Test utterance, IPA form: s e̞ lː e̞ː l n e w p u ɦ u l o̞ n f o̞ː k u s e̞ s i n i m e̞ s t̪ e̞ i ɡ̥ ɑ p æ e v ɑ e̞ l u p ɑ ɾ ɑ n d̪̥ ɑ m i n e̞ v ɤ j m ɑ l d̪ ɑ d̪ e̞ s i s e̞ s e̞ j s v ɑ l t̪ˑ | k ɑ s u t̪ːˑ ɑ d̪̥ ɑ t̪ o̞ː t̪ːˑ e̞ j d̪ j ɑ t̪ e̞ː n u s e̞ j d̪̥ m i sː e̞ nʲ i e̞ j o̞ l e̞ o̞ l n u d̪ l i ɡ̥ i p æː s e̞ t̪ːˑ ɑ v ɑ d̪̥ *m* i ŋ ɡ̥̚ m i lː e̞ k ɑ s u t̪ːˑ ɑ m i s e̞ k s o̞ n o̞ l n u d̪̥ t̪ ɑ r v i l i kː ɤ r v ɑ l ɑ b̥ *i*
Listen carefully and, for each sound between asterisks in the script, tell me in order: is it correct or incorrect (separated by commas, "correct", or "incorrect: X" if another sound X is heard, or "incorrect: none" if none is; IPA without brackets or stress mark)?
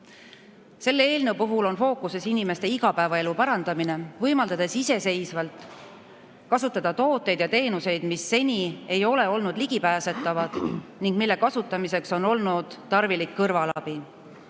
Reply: incorrect: n, correct